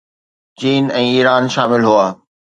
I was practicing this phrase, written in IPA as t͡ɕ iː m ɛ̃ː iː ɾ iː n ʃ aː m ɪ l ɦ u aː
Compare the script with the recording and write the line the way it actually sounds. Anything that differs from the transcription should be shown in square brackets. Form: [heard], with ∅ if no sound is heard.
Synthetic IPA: t͡ɕ iː [n] ɛ̃ː iː ɾ [aː] n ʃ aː m ɪ l ɦ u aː